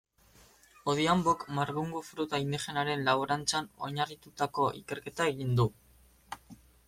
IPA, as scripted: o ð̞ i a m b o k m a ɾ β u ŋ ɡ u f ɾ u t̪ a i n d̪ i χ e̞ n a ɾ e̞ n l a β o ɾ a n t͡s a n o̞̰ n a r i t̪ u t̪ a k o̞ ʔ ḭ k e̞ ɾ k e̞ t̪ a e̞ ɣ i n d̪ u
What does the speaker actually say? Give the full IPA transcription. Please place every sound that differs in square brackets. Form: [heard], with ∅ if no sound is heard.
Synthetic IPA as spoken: o ð̞ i a m b o k m a ɾ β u ŋ ɡ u f ɾ u t̪ a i n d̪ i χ e̞ n a ɾ e̞ n l a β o ɾ a n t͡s a n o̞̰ [ɲ] a r i t̪ u t̪ a k o̞ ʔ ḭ k e̞ ɾ k e̞ t̪ a e̞ ɣ i n d̪ u